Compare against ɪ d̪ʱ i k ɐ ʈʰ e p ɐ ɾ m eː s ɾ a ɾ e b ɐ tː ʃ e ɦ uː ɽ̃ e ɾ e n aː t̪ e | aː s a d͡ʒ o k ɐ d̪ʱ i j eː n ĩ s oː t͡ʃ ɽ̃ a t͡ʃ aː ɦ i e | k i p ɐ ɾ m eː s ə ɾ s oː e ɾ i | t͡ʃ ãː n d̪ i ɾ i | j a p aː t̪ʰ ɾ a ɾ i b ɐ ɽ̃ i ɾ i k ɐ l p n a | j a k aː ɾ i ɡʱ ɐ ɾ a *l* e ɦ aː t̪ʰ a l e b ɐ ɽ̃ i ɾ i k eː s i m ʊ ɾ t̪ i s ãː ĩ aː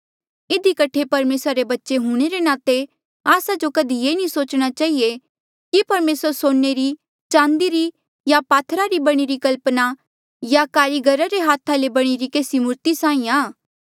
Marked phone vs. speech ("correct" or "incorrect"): incorrect